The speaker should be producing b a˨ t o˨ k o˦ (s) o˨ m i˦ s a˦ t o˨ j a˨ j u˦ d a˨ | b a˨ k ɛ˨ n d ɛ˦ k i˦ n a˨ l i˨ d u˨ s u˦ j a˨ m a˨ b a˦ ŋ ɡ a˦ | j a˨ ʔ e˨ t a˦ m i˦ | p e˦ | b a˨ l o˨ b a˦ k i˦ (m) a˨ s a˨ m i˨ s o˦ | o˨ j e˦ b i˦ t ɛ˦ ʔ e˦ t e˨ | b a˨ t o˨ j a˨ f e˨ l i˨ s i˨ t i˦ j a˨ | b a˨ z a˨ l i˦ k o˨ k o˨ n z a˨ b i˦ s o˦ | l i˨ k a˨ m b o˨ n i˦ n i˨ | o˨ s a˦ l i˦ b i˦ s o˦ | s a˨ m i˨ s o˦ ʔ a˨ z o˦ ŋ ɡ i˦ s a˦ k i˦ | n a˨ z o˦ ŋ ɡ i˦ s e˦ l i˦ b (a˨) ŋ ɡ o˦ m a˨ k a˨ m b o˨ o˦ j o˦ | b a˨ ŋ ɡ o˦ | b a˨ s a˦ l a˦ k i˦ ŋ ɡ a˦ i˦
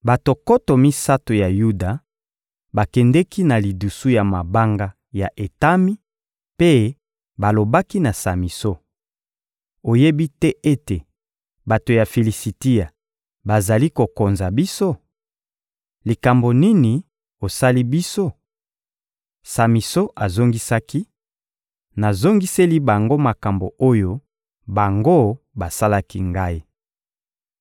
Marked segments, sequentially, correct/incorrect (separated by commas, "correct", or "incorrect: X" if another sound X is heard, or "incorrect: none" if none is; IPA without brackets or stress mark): incorrect: t, incorrect: n, correct